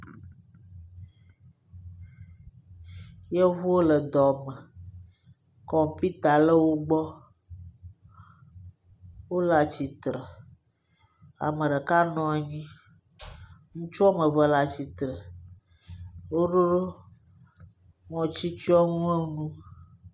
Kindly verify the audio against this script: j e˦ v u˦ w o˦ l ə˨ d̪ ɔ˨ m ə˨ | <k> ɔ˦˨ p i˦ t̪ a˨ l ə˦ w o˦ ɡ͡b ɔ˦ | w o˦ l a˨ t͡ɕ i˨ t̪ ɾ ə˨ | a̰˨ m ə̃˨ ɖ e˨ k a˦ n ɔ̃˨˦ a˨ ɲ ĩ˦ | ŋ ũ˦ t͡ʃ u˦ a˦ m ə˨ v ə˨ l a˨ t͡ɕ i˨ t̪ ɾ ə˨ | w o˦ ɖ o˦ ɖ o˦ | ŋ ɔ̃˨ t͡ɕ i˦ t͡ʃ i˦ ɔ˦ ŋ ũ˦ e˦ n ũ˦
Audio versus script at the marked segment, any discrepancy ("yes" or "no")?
no